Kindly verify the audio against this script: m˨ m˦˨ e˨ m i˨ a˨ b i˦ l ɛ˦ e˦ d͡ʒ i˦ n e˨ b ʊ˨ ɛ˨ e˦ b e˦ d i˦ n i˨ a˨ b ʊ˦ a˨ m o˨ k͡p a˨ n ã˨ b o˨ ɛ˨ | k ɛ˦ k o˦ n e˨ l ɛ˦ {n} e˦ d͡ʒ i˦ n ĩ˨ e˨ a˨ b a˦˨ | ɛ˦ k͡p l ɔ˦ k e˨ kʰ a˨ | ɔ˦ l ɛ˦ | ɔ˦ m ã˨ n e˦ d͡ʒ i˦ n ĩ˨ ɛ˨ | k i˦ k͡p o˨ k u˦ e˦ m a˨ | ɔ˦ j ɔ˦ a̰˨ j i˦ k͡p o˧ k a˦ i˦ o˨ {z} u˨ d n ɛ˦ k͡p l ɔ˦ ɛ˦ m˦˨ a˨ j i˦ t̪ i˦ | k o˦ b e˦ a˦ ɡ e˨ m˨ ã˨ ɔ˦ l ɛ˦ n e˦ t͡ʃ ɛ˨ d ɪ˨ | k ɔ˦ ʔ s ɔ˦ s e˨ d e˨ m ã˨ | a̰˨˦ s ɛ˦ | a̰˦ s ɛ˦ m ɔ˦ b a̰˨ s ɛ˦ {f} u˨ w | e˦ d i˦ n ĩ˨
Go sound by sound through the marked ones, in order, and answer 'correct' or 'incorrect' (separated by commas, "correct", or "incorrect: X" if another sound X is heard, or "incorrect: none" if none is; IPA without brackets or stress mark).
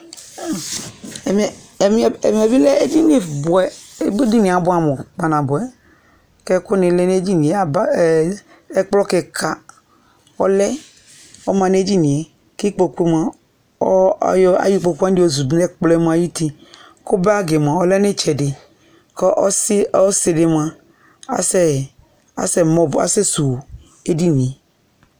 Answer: correct, correct, incorrect: s